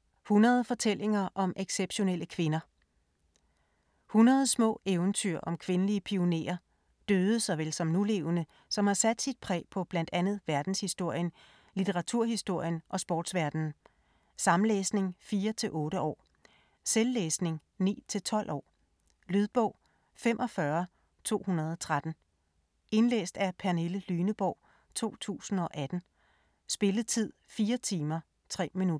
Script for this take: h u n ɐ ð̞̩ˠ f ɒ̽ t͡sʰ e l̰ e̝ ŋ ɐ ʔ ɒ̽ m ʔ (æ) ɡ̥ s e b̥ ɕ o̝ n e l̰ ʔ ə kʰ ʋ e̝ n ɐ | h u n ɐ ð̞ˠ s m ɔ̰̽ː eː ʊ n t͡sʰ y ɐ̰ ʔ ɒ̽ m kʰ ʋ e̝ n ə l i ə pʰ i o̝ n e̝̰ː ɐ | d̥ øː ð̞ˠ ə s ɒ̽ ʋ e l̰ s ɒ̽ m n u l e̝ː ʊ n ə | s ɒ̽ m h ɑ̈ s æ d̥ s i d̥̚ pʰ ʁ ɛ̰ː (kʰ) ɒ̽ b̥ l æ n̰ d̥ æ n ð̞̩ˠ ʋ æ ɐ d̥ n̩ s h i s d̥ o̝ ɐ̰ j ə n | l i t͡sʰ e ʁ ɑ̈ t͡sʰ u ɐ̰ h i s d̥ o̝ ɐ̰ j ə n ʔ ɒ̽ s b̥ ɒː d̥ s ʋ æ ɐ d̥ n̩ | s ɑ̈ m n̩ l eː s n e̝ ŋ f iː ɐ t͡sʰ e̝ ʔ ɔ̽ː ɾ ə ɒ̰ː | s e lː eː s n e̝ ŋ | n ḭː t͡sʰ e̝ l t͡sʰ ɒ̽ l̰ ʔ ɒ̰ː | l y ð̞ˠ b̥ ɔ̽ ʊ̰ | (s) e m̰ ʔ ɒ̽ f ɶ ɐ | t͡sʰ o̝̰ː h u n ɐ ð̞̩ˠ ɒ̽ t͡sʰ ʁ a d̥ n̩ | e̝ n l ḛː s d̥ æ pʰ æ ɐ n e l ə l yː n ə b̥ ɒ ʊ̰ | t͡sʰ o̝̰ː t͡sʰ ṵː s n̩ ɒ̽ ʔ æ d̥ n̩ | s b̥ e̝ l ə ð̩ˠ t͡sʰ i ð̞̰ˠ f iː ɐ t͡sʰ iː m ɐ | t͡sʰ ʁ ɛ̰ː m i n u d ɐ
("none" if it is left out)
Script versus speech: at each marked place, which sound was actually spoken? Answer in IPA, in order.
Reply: e, pʰ, f

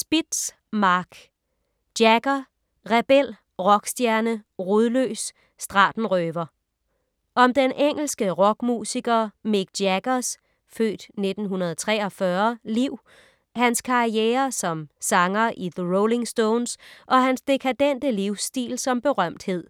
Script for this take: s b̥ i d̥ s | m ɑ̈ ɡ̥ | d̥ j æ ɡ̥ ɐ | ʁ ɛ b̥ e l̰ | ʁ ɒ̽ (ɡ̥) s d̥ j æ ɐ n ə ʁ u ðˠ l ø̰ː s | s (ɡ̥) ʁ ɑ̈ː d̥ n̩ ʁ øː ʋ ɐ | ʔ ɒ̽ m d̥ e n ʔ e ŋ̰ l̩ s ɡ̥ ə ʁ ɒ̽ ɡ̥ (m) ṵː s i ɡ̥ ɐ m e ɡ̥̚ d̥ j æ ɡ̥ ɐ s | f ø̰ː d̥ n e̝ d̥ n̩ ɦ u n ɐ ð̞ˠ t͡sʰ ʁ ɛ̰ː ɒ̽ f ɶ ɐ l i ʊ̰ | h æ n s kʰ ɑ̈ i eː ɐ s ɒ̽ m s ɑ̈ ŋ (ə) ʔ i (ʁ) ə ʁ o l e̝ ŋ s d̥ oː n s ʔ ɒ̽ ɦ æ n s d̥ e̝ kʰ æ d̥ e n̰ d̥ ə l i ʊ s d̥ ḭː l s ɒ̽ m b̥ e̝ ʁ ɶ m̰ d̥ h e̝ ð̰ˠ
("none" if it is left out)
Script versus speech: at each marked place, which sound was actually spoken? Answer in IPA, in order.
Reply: ɡ̥, d̥, m, ɐ, ð

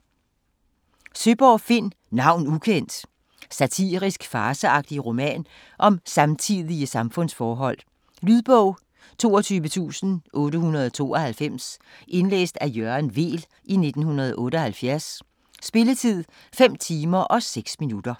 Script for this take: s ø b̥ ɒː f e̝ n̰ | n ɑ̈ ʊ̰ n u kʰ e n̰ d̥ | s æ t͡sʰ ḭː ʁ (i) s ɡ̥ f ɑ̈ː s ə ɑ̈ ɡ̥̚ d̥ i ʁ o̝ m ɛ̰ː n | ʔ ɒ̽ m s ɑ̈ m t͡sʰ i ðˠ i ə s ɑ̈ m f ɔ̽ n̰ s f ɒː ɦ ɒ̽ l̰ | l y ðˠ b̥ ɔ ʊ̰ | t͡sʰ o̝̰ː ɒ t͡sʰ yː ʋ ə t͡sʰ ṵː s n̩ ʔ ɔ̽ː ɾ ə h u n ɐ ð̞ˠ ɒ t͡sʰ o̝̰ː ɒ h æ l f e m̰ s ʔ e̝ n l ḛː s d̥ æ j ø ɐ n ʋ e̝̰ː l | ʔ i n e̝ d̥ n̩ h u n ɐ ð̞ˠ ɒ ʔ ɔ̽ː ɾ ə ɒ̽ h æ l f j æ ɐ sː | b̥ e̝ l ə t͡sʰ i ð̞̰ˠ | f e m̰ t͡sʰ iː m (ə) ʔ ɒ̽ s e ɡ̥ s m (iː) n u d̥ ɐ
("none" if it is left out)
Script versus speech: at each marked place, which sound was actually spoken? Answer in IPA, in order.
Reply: i, ɐ, i

